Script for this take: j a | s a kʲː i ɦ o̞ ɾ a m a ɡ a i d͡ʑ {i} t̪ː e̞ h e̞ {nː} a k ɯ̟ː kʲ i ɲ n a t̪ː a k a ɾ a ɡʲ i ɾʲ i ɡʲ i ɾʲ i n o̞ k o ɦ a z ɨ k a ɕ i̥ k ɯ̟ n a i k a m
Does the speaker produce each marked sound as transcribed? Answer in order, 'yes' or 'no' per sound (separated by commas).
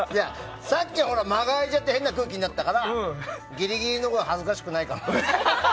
no, yes